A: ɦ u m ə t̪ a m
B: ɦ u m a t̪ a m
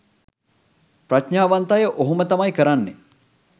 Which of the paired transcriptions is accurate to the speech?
A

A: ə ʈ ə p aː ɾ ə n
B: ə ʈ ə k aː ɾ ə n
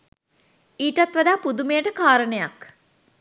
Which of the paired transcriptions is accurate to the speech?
B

